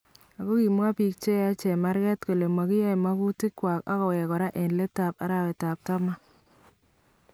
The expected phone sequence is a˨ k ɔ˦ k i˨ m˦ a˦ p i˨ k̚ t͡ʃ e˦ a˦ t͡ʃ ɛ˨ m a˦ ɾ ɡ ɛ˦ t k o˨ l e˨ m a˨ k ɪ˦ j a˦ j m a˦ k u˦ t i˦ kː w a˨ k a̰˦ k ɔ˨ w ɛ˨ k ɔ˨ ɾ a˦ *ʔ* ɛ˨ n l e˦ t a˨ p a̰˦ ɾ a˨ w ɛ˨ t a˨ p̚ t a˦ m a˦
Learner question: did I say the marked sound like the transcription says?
yes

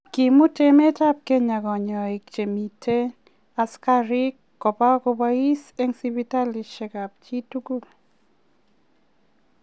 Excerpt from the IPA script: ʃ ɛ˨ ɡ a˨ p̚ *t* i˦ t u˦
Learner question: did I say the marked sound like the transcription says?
no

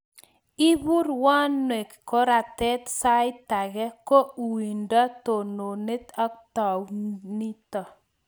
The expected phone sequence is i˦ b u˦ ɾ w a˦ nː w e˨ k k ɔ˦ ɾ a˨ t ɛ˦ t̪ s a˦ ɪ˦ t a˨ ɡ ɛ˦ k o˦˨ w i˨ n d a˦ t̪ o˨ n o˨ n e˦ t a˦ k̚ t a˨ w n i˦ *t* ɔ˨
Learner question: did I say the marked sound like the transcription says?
yes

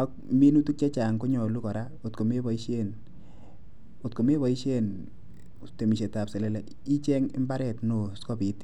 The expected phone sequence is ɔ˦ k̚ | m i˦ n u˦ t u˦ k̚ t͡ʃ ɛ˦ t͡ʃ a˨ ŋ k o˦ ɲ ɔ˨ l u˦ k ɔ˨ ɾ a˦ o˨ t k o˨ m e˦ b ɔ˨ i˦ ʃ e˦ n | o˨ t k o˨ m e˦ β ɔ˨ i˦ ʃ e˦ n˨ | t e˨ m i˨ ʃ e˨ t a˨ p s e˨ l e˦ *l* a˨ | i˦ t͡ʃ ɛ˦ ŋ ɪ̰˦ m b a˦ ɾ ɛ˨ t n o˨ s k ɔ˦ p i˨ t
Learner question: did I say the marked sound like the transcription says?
yes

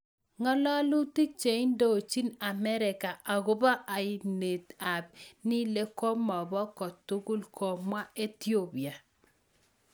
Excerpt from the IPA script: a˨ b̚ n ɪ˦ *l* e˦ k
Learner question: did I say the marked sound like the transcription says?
yes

